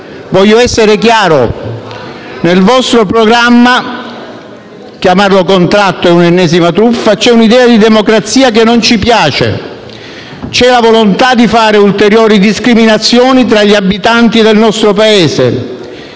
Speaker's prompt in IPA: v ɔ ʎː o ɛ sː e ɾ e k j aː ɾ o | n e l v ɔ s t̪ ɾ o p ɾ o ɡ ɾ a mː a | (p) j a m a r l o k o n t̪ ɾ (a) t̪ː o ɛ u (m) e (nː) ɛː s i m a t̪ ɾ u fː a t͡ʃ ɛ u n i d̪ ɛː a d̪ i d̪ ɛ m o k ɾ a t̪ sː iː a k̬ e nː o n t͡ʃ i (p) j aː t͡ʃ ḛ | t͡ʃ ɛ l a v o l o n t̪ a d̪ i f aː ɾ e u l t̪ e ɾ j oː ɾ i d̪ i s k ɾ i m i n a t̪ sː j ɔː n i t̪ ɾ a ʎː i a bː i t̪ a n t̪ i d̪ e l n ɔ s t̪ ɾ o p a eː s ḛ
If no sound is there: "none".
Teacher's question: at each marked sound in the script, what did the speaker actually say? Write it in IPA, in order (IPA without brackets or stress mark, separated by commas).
k, a, n, nː, p